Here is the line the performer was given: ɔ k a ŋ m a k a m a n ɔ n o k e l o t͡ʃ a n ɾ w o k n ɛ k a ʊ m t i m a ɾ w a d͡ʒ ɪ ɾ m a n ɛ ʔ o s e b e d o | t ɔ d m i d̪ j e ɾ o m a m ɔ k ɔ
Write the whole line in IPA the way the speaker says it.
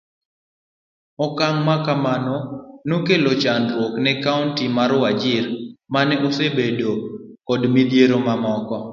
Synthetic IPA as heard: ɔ k a ŋ m a k a m a n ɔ n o k e l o t͡ʃ a n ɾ w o k n ɛ k a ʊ n t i m a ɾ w a d͡ʒ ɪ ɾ m a n ɛ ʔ o s e b e d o | k ɔ d m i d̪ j e ɾ o m a m ɔ k ɔ